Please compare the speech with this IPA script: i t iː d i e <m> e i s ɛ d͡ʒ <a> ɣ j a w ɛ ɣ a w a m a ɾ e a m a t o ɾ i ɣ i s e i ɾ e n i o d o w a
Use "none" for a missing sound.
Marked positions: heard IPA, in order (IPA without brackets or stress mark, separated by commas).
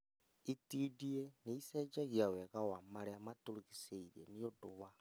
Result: n, a